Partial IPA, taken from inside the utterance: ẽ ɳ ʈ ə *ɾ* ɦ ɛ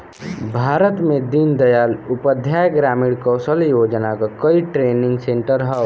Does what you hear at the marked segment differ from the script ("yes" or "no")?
no